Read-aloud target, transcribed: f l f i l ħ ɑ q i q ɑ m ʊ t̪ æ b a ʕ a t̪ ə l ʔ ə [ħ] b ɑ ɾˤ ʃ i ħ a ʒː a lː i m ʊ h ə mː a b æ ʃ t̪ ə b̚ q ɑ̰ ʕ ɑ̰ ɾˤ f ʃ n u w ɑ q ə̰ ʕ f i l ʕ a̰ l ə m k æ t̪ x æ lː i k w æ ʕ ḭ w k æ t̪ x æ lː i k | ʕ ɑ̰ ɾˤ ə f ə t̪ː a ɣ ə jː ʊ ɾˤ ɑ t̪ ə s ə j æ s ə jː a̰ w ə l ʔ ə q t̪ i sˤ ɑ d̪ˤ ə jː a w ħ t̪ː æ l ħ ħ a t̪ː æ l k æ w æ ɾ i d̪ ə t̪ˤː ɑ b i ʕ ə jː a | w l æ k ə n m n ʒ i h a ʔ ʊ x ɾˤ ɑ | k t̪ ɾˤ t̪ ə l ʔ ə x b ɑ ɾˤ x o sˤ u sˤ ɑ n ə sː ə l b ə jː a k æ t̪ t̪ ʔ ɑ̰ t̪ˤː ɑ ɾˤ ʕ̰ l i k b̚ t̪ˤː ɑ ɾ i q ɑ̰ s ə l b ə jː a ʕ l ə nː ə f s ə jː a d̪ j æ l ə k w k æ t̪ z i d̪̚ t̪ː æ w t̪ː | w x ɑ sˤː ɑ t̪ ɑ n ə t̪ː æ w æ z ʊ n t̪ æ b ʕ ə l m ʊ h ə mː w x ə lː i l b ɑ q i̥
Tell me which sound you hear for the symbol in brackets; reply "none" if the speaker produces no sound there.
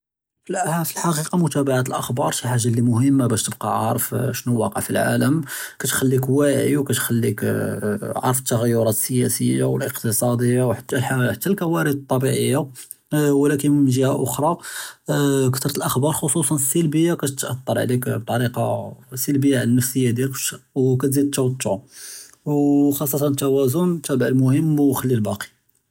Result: x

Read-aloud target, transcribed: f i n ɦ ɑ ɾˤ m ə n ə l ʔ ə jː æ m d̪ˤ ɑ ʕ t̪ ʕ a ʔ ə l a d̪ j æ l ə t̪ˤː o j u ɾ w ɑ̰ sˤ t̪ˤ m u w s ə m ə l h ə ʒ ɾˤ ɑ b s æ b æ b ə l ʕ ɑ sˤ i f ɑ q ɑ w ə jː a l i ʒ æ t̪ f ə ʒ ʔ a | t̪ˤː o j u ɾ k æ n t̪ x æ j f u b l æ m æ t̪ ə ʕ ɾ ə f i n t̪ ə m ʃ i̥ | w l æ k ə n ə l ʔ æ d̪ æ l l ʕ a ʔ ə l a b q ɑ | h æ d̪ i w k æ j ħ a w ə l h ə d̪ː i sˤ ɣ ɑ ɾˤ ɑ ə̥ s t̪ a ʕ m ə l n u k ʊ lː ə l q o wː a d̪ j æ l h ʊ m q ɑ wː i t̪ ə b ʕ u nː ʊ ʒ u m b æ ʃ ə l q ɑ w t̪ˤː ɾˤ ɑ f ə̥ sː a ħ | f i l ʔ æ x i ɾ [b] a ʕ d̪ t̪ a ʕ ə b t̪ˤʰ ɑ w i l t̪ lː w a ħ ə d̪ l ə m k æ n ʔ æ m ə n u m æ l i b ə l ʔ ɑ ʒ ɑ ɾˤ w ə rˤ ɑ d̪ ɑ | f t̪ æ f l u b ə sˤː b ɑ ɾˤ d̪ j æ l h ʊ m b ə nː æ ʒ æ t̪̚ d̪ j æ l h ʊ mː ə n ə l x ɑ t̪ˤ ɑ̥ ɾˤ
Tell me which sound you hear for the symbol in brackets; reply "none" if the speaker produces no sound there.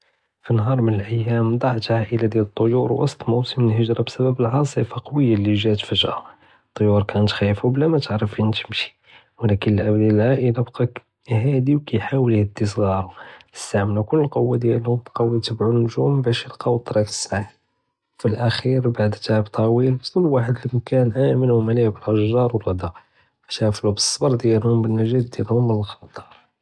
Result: b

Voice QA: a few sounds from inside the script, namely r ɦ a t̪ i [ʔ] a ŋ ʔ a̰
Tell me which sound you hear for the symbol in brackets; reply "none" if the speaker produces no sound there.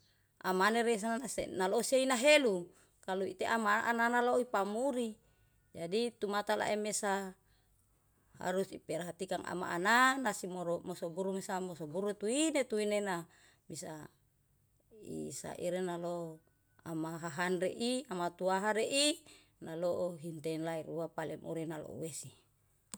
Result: k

